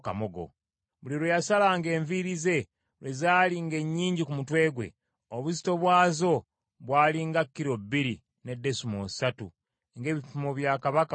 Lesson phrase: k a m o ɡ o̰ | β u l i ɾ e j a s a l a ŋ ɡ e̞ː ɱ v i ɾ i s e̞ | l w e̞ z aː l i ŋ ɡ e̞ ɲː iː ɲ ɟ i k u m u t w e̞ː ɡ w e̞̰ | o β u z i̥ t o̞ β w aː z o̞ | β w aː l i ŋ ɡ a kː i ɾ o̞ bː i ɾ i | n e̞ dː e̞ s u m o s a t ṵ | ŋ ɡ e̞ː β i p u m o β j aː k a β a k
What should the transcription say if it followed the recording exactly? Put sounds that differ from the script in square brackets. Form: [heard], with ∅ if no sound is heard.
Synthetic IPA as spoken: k a m o ɡ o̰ | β u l i ɾ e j a s a l a ŋ ɡ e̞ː ɱ v i ɾ i [z] e̞ | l w e̞ z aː l i ŋ ɡ e̞ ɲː iː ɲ ɟ i k u m u t w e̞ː ɡ w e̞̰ | o β u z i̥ t o̞ β w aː z o̞ | β w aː l i ŋ ɡ a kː i ɾ o̞ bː i ɾ i | n e̞ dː e̞ s u m o s a t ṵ | ŋ ɡ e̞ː β i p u m o β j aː k a β a k